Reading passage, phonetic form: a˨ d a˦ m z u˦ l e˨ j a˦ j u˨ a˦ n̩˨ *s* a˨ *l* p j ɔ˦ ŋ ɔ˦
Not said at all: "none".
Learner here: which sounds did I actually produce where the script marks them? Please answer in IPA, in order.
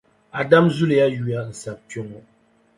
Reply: s, none

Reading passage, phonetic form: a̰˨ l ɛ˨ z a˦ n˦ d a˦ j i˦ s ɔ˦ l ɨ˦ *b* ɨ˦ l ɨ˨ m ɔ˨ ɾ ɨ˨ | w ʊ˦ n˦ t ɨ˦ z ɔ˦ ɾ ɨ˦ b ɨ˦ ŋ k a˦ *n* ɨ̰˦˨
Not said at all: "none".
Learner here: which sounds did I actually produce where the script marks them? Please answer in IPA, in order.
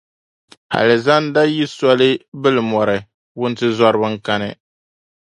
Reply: b, n

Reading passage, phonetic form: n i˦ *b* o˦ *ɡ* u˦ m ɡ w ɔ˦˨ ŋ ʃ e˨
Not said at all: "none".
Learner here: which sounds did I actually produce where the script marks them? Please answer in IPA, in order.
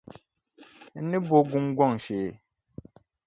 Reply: b, ɡ

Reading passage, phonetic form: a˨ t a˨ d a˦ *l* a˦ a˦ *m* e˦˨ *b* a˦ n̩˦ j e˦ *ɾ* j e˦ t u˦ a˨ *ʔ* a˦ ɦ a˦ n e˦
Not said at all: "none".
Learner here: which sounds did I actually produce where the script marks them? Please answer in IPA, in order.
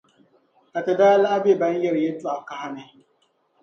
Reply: l, b, b, ɾ, k

